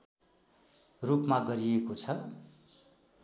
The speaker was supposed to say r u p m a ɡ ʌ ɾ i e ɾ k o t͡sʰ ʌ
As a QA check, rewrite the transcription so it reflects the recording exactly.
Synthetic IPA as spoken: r u p m a ɡ ʌ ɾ i e k o t͡sʰ ʌ